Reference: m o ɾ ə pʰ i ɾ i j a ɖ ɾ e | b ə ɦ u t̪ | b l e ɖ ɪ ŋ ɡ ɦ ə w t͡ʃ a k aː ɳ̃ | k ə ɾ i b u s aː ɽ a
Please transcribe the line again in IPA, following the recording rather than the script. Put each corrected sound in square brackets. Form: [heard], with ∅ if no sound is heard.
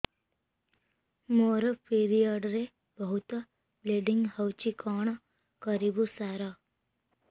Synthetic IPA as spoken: m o ɾ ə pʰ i ɾ i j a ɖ ɾ e | b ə ɦ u t̪ | b l e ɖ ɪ ŋ ɡ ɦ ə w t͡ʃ [i] k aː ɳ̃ | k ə ɾ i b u s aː [ɾ] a

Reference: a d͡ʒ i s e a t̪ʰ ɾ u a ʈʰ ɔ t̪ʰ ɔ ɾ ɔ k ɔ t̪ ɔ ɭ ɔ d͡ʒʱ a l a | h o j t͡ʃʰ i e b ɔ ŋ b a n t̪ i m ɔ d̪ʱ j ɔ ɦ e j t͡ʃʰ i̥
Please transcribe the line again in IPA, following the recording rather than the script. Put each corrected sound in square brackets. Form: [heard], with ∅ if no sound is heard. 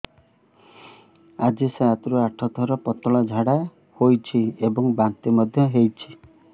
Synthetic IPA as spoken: a d͡ʒ i s e a [t̪] ɾ u a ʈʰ ɔ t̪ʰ ɔ ɾ ɔ [p] ɔ t̪ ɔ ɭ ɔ d͡ʒʱ a [ɽ] a | h o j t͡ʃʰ i e b ɔ ŋ b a n t̪ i m ɔ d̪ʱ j ɔ ɦ e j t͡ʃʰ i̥

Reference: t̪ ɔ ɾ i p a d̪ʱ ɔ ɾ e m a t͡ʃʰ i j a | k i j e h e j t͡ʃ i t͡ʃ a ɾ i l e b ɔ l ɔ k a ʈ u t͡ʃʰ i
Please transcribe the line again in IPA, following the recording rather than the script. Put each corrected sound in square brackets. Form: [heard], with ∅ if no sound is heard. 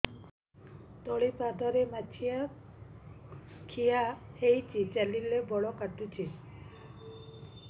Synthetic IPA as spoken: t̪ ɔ [ɭ] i p a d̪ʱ ɔ ɾ e m a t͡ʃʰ i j a | [kʰ] i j [a] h e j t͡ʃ i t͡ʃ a [l] i l e b ɔ [ɭ] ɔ k a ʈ u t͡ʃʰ i

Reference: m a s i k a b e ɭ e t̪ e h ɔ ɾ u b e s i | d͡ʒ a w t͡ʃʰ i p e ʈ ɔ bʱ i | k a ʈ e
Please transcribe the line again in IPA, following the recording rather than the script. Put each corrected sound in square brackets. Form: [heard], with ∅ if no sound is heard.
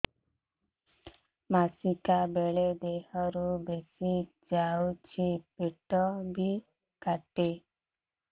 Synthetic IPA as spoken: m a s i k a b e ɭ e [d̪] e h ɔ ɾ u b e s i | d͡ʒ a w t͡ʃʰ i p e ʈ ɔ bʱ i | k a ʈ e

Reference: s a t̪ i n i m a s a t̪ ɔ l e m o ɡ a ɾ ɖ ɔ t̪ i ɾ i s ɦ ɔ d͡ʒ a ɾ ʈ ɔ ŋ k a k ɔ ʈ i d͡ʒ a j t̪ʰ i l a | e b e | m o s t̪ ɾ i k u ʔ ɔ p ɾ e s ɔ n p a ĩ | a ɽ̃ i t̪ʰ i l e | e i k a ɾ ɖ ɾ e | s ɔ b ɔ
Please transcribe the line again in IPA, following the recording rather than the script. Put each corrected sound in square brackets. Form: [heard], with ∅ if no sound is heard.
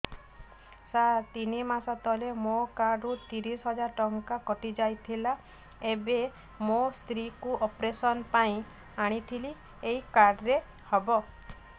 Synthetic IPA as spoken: s a t̪ i n i m a s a t̪ ɔ l e m o [k] a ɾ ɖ [u] t̪ i ɾ i s ɦ ɔ d͡ʒ a ɾ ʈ ɔ ŋ k a k ɔ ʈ i d͡ʒ a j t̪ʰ i l a | e b e | m o s t̪ ɾ i k u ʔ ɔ p ɾ e s ɔ n p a ĩ | a ɽ̃ i t̪ʰ i l [i] | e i k a ɾ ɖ ɾ e | [h] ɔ b ɔ

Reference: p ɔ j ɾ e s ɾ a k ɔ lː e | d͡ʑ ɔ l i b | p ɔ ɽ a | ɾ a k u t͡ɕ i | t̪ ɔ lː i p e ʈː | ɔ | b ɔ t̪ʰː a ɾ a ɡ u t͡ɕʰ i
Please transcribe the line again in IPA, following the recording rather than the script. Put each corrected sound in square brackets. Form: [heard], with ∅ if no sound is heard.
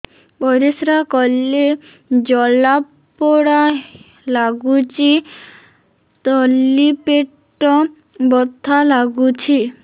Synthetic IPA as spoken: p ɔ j ɾ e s ɾ a k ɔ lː e | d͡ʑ ɔ l [a] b | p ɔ ɽ a | [l] a [ɡ] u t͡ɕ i | t̪ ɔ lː i p e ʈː | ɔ | b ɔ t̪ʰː a [l] a ɡ u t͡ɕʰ i

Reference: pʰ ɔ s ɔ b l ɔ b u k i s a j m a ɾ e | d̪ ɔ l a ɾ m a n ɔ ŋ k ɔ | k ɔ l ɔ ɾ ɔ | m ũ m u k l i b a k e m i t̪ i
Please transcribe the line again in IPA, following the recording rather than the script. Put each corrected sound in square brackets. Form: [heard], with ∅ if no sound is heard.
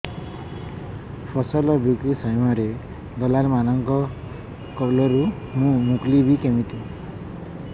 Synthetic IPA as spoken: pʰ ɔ s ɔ [∅] l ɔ b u k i s a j m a ɾ e | d̪ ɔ l a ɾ m a n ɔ ŋ k ɔ | k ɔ l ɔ ɾ [u] | m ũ m u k l i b [i] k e m i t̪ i

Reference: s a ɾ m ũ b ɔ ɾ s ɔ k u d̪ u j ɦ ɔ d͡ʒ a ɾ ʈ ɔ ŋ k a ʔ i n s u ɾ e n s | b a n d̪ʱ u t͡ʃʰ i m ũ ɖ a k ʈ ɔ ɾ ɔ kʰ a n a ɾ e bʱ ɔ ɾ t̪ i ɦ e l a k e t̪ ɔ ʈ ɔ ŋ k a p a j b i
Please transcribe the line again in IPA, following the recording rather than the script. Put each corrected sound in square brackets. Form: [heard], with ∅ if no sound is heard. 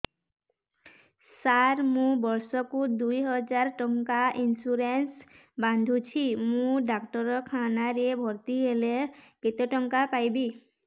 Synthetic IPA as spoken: s a ɾ m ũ b ɔ ɾ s ɔ k u d̪ u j ɦ ɔ d͡ʒ a ɾ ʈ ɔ ŋ k a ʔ i n s u ɾ e n s | b a n d̪ʱ u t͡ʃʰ i m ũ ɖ a k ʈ ɔ ɾ ɔ kʰ a n a ɾ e bʱ ɔ ɾ t̪ i ɦ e l [e] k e t̪ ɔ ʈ ɔ ŋ k a p a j b i

